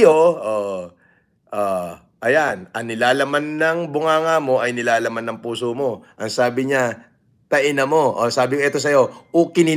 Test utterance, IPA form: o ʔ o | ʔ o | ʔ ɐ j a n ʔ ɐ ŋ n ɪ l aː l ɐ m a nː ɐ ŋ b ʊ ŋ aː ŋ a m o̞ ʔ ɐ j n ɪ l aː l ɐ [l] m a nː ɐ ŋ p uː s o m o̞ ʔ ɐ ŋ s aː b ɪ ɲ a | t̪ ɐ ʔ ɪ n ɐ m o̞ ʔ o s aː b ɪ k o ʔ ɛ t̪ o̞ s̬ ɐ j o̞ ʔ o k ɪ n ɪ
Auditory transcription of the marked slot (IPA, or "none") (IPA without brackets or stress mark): none